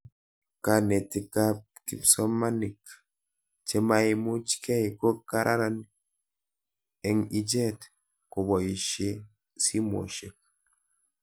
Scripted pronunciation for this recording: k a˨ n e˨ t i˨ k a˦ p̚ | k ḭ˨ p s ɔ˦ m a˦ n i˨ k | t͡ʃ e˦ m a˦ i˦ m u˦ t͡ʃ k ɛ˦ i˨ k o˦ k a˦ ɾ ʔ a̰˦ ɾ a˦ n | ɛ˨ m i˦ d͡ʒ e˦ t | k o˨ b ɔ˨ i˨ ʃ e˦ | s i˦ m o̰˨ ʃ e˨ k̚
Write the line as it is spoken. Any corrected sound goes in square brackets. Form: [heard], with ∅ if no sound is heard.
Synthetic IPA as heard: k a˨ n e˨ t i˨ k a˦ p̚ | k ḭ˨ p s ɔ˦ m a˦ n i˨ k | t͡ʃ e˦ m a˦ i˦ m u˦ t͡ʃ k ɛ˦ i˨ k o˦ k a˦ ɾ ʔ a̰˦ ɾ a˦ n | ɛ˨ [ŋ] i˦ d͡ʒ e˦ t | k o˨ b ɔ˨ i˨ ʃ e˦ | s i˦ m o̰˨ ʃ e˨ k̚